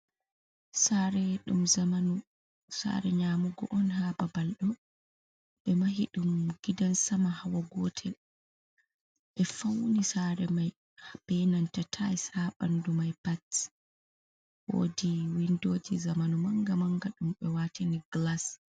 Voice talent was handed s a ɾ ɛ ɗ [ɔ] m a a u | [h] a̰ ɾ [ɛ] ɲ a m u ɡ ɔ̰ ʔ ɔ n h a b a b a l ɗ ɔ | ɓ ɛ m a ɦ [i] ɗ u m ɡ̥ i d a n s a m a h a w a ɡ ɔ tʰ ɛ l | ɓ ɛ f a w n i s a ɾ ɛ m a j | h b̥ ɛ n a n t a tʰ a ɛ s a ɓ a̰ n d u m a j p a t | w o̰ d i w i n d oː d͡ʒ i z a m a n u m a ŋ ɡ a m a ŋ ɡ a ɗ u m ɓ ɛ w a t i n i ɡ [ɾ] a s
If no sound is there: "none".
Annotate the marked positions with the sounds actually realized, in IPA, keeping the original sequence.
u, s, ɛ, i, l

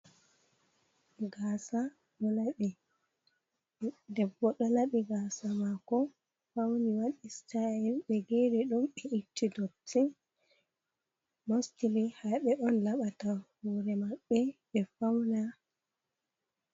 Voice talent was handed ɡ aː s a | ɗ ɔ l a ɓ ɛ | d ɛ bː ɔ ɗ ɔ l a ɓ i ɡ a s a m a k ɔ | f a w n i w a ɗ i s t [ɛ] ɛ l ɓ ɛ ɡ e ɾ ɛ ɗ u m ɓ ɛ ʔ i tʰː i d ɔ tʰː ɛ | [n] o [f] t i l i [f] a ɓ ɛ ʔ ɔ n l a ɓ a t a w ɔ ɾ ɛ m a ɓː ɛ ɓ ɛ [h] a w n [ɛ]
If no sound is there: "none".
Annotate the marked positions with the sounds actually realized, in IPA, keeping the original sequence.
a, m, s, h, f, a

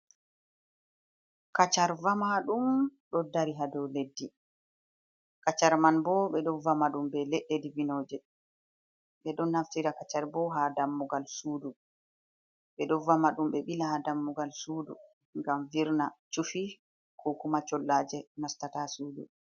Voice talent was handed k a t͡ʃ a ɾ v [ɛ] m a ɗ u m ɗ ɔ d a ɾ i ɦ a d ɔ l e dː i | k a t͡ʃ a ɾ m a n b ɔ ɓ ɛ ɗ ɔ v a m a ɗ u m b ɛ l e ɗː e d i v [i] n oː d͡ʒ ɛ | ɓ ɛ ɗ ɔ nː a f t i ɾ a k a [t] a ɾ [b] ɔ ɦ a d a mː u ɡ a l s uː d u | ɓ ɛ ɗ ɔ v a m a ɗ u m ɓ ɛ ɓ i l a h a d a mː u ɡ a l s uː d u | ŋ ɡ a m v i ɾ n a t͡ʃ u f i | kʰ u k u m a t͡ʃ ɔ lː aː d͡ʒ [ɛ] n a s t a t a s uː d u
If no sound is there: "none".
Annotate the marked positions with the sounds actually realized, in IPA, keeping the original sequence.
a, i, t͡ʃ, b, ɛ

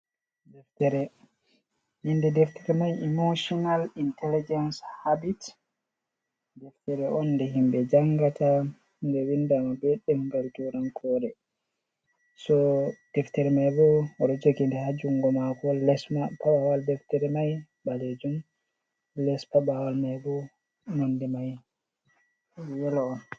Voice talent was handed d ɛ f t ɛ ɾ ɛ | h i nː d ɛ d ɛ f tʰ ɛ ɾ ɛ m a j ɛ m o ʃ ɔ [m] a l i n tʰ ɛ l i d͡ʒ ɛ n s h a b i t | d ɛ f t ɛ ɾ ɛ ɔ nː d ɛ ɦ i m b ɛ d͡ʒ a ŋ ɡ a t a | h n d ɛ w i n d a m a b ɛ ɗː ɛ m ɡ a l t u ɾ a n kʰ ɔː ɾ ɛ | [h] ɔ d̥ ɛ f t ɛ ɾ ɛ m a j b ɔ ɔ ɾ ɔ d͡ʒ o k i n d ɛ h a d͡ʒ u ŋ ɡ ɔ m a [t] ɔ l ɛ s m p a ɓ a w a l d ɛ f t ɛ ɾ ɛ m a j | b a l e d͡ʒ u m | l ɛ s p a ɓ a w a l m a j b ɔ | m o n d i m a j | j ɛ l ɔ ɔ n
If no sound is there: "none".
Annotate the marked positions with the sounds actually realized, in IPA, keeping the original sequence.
n, s, k

